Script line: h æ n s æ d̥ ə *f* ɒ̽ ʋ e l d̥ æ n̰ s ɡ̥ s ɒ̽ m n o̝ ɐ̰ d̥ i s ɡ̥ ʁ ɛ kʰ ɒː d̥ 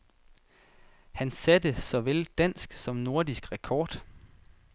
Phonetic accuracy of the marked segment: incorrect: s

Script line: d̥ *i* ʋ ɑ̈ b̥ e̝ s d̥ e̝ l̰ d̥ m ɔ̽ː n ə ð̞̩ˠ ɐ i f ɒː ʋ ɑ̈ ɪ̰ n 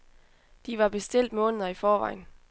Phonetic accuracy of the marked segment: correct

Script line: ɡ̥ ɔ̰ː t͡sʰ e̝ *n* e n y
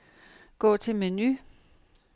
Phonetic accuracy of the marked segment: incorrect: m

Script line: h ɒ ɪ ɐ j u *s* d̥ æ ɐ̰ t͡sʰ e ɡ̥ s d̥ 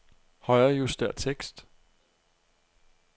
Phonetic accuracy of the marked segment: correct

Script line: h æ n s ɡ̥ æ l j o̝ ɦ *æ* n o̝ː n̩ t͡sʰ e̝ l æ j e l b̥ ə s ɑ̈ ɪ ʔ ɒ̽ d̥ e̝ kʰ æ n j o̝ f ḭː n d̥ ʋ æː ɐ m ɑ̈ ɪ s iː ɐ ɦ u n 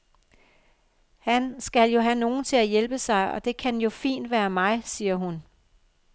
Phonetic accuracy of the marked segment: correct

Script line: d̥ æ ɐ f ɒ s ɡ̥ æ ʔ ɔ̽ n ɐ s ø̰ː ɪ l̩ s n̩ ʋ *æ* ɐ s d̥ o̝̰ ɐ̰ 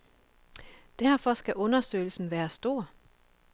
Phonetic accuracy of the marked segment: incorrect: æː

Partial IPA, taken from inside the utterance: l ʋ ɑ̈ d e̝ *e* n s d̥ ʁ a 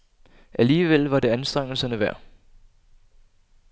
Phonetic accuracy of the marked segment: incorrect: æ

